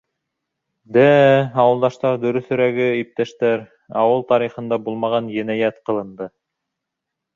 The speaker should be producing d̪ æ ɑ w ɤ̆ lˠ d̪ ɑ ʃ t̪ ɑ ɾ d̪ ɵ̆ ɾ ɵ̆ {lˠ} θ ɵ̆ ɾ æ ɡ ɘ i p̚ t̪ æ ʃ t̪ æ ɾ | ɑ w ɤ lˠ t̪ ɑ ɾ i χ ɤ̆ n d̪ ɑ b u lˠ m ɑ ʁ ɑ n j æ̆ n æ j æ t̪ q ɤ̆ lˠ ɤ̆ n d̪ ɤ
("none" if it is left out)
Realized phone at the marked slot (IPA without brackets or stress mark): none